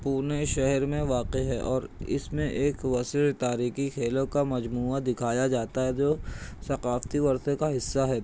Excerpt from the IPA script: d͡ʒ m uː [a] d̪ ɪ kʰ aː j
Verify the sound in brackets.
correct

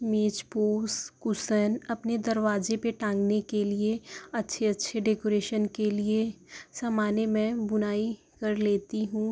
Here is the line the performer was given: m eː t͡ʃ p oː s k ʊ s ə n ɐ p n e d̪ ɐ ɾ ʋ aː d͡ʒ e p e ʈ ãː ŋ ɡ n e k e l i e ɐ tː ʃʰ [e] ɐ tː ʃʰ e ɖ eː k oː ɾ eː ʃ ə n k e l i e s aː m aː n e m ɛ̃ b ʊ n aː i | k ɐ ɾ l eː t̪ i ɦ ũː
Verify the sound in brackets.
correct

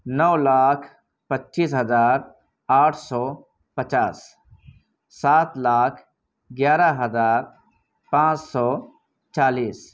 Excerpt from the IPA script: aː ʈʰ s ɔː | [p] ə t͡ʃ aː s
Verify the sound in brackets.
correct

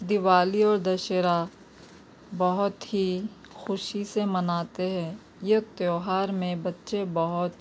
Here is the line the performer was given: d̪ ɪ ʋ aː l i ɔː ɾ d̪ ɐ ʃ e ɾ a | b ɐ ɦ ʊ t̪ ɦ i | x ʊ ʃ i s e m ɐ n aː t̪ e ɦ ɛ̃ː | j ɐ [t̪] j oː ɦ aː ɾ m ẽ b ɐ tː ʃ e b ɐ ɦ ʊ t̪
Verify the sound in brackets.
correct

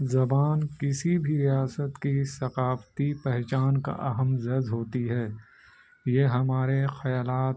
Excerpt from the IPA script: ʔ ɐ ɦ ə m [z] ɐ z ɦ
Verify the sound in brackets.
correct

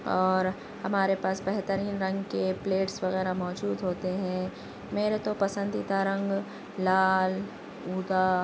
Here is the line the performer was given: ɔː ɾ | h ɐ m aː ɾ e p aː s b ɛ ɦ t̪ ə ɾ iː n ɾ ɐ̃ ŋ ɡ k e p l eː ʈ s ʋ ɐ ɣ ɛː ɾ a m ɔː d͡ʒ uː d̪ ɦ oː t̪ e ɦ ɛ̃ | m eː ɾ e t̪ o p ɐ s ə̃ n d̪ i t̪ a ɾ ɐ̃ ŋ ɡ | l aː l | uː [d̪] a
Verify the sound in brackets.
correct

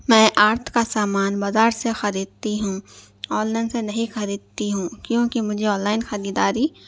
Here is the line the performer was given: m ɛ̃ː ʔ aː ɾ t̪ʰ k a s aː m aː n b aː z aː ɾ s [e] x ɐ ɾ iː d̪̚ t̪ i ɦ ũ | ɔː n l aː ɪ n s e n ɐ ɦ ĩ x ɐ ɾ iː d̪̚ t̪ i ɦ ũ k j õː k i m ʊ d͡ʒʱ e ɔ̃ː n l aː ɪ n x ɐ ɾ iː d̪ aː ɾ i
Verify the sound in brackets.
correct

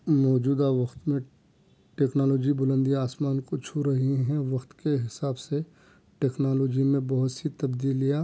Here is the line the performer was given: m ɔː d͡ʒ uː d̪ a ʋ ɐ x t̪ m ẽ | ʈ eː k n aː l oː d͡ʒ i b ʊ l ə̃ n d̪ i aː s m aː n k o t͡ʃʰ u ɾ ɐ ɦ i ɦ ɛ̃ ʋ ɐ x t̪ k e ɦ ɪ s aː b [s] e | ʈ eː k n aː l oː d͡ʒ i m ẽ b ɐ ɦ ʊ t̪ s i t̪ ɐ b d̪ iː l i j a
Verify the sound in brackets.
correct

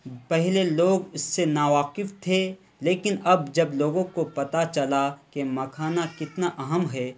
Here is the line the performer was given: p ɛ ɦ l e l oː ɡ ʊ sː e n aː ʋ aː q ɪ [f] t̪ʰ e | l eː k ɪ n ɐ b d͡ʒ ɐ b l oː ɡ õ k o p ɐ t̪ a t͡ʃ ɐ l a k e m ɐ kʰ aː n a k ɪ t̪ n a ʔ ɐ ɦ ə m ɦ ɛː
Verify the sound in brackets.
correct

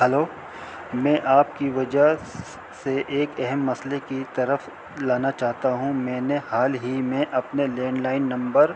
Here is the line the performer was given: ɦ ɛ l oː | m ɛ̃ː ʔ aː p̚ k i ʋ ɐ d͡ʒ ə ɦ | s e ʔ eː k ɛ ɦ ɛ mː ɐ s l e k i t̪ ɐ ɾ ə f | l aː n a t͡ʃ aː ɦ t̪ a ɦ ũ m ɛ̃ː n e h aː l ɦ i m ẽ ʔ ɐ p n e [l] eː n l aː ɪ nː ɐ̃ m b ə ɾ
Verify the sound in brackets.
correct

